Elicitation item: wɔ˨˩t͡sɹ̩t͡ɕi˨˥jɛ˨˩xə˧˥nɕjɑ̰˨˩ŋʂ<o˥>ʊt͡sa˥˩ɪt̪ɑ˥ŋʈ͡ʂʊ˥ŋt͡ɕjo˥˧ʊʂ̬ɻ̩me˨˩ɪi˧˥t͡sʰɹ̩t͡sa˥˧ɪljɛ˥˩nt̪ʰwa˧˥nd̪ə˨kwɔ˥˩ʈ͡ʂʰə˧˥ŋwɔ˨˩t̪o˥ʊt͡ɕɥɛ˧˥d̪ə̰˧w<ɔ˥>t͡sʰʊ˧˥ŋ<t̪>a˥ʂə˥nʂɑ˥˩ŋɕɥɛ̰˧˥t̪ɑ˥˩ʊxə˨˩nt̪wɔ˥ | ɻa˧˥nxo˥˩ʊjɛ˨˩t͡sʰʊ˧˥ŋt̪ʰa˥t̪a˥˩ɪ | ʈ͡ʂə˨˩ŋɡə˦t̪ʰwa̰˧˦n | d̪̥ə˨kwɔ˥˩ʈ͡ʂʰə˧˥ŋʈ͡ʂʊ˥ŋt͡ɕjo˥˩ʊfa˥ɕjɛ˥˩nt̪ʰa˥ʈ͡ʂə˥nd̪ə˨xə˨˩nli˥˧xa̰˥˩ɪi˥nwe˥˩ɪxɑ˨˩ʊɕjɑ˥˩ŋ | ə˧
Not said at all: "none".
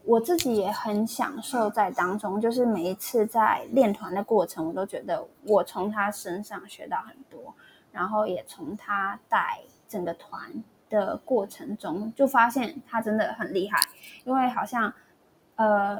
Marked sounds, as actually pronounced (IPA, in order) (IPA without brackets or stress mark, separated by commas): o˥˧, ɔ˨˩, t̪ʰ